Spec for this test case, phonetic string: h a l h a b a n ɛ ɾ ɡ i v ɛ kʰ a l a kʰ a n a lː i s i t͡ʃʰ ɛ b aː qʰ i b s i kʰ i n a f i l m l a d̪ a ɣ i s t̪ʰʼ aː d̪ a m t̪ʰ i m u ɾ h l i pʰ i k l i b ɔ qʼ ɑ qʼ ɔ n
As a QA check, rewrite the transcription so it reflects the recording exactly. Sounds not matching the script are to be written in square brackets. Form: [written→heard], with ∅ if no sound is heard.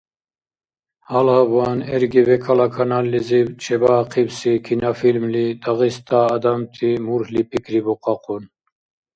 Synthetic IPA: h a l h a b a n ɛ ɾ ɡ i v ɛ kʰ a l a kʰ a n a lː i [s→z] i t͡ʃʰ ɛ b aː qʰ i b s i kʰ i n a f i l m l [a→i] d̪ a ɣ i s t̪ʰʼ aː d̪ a m t̪ʰ i m u ɾ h l i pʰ i k [l→ɾ] i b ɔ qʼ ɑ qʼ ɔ n